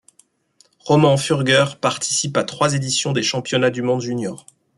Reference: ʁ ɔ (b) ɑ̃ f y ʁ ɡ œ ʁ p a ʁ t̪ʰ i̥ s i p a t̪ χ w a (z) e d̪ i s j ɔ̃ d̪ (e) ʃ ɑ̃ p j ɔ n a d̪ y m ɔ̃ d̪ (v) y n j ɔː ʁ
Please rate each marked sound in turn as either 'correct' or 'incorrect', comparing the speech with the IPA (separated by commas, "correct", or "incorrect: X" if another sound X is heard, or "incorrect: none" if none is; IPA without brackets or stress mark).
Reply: incorrect: m, correct, correct, incorrect: ʒ